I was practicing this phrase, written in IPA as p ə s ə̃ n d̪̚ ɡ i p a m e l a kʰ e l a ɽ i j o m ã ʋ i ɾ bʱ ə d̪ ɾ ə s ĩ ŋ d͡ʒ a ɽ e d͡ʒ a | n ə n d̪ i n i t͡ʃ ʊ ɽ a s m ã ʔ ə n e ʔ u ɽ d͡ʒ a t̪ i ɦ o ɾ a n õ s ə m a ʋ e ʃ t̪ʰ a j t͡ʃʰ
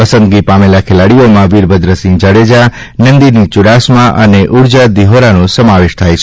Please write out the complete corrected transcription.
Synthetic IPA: p ə s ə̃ n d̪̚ ɡ i p a m e l a kʰ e l a ɽ i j o m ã ʋ i ɾ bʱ ə d̪ ɾ ə s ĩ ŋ d͡ʒ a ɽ e d͡ʒ a | n ə n d̪ i n i t͡ʃ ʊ ɽ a s m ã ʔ ə n e ʔ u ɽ d͡ʒ a d̪ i ɦ o ɾ a n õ s ə m a ʋ e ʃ t̪ʰ a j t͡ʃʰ

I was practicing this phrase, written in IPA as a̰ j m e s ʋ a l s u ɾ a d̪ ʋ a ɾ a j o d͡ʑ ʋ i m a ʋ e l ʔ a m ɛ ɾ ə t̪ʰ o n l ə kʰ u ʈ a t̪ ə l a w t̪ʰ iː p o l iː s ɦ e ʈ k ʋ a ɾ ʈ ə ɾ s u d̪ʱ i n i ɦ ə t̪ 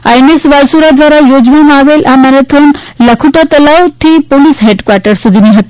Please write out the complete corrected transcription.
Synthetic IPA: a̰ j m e s ʋ a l s u ɾ a d̪ ʋ a ɾ a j o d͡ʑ ʋ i m a ʋ e l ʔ a m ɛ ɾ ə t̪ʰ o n l ə kʰ u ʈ a t̪ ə l a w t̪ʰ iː p o l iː s ɦ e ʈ k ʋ a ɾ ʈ ə ɾ s u d̪ʱ i n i ɦ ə t̪

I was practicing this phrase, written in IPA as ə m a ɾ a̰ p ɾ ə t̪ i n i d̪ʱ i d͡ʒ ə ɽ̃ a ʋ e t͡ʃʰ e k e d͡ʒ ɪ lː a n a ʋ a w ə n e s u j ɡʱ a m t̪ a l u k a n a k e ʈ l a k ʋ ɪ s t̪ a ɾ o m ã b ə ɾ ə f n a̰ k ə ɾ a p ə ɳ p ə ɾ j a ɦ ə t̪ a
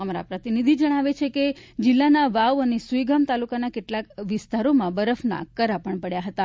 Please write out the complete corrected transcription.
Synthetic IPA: ə m a ɾ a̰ p ɾ ə t̪ i n i d̪ʱ i d͡ʒ ə ɽ̃ a ʋ e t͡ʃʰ e k e d͡ʒ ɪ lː a n a ʋ a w ə n e s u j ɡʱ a m t̪ a l u k a n a k e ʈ l a k ʋ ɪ s t̪ a ɾ o m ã b ə ɾ ə f n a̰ k ə ɾ a p ə ɳ p ə ɽ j a ɦ ə t̪ a

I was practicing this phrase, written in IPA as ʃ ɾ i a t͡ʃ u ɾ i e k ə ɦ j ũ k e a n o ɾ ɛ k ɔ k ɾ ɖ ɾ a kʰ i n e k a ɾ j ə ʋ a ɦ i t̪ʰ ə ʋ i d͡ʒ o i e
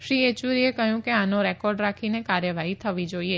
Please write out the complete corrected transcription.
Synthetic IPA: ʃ ɾ i e t͡ʃ u ɾ i e k ə ɦ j ũ k e a n o ɾ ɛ k ɔ ɾ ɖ ɾ a kʰ i n e k a ɾ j ə ʋ a ɦ i t̪ʰ ə ʋ i d͡ʒ o i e

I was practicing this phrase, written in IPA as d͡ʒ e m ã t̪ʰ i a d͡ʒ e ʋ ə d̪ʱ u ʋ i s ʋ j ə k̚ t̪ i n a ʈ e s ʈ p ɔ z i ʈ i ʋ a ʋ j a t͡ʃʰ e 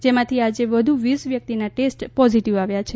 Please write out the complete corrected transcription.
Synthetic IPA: d͡ʒ e m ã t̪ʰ i a d͡ʒ e ʋ ə d̪ʱ u ʋ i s ʋ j ə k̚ t̪ i n a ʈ e s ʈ p ɔ z i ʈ i ʋ a ʋ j a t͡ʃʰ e

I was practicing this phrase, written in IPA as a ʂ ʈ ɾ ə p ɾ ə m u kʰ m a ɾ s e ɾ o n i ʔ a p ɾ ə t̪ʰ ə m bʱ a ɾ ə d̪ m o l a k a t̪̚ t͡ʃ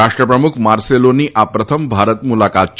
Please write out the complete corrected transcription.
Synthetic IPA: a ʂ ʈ ɾ ə p ɾ ə m u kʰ m a ɾ s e l o n i ʔ a p ɾ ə t̪ʰ ə m bʱ a ɾ ə t̪ m u l a k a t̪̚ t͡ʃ

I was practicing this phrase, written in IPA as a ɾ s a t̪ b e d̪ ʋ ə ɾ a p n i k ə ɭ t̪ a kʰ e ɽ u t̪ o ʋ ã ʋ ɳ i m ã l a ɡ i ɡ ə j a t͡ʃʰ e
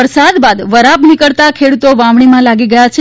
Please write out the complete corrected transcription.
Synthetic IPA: ə ɾ s a d̪ b a d̪ ʋ ə ɾ a p n i k ə ɭ t̪ a kʰ e ɽ u t̪ o ʋ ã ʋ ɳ i m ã l a ɡ i ɡ ə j a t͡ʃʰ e

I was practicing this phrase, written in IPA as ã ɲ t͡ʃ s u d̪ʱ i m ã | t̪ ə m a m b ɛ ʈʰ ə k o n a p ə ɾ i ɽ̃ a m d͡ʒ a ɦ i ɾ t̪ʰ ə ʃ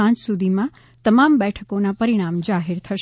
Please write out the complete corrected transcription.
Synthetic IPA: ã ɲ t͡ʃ s u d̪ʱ i m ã | t̪ ə m a m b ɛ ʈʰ ə k o n a p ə ɾ i ɽ̃ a m d͡ʒ a ɦ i ɾ t̪ʰ ə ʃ

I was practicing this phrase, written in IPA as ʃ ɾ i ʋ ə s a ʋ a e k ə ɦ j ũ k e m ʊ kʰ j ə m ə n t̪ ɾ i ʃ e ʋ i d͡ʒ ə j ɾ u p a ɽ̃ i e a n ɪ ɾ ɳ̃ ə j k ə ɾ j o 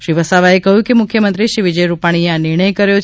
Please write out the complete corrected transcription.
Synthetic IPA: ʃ ɾ i ʋ ə s a ʋ a e k ə ɦ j ũ k e m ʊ kʰ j ə m ə n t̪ ɾ i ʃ i ʋ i d͡ʒ ə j ɾ u p a ɽ̃ i e a n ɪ ɾ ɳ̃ ə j k ə ɾ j o

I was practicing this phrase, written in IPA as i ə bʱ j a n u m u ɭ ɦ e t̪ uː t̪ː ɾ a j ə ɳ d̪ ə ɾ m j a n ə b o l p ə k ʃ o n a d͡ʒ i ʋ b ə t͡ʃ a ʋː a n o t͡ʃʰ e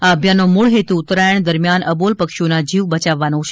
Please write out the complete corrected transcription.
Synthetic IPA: a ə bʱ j a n o m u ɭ ɦ e t̪ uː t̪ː ɾ a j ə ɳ d̪ ə ɾ m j a n ə b o l p ə k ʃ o n a d͡ʒ i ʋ b ə t͡ʃ a ʋː a n o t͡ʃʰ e

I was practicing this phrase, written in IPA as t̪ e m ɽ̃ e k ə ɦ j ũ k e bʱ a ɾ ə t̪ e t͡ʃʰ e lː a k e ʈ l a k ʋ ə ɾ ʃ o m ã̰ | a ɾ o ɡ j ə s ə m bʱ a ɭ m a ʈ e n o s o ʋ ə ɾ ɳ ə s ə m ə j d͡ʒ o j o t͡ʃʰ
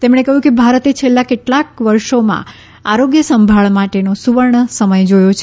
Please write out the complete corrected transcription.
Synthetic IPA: t̪ e m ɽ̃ e k ə ɦ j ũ k e bʱ a ɾ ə t̪ e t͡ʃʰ e lː a k e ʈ l a k ʋ ə ɾ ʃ o m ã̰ | a ɾ o ɡ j ə s ə m bʱ a ɭ m a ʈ e n o s u ʋ ə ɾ ɳ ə s ə m ə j d͡ʒ o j o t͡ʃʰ

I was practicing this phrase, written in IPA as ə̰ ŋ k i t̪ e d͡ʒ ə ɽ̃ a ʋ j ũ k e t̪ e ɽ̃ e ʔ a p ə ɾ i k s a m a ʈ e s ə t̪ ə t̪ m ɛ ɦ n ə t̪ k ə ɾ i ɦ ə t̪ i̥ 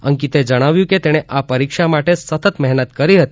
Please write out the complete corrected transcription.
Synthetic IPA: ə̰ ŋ k i t̪ e d͡ʒ ə ɽ̃ a ʋ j ũ k e t̪ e ɽ̃ e ʔ a p ə ɾ i k ʃ a m a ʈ e s ə t̪ ə t̪ m ɛ ɦ n ə t̪ k ə ɾ i ɦ ə t̪ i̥

